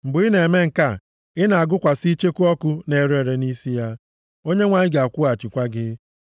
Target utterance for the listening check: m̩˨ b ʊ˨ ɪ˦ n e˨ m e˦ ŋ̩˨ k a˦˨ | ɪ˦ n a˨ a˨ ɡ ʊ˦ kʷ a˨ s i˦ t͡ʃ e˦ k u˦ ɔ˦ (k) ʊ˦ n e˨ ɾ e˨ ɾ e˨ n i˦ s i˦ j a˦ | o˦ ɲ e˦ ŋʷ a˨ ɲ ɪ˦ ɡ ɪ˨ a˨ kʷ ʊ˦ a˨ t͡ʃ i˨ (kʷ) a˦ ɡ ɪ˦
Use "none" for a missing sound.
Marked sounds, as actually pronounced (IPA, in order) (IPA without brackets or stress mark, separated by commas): k, kʷ